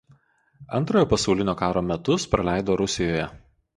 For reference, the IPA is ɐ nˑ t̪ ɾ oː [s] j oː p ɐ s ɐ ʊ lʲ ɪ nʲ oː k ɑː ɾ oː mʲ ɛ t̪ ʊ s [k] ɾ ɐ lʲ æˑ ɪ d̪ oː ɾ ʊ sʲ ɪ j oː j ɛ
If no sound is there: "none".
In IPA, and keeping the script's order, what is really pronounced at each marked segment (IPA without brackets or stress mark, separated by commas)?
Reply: none, p